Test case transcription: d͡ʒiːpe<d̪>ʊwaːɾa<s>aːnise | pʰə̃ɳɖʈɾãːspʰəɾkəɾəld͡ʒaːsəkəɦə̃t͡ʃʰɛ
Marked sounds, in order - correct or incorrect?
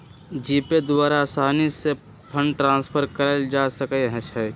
correct, correct

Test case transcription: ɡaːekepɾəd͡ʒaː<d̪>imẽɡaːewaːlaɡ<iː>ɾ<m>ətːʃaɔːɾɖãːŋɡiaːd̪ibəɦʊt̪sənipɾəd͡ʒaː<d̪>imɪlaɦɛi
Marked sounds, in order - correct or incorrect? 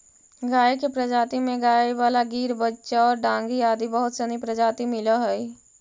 incorrect: t̪, correct, incorrect: b, incorrect: t̪

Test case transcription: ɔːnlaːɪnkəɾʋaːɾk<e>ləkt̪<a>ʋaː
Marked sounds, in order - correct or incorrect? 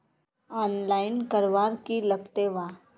incorrect: i, incorrect: e

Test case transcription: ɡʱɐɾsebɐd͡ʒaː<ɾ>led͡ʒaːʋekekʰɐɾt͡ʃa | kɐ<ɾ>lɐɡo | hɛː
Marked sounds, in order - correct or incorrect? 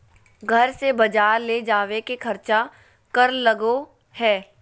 correct, correct

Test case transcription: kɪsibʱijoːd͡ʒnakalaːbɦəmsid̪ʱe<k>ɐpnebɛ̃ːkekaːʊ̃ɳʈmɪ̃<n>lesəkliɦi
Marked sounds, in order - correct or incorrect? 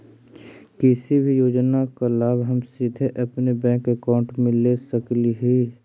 incorrect: ʔ, incorrect: none

